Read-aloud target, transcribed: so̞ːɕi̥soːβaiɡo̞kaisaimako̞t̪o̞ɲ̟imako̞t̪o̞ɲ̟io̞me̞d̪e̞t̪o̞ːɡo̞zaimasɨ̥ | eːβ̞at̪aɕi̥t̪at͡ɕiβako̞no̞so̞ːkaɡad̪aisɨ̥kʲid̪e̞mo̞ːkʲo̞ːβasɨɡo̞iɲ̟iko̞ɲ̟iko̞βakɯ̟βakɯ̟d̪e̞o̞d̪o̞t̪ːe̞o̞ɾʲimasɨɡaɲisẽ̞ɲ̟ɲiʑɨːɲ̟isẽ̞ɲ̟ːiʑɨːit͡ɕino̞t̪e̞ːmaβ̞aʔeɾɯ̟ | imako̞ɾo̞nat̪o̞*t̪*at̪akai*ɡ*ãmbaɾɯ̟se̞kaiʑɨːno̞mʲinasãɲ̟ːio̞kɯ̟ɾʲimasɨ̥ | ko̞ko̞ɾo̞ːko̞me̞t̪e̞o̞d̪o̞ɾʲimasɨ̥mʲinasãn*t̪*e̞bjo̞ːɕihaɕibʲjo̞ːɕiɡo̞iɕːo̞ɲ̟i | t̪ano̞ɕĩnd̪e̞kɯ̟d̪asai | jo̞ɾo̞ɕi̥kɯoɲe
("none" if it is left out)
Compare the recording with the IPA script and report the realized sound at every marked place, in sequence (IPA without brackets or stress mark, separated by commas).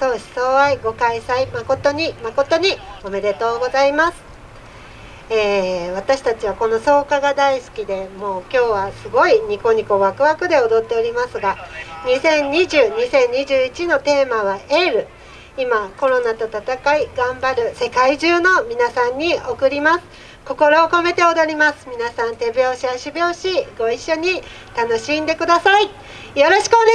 t̪, ɡ, t̪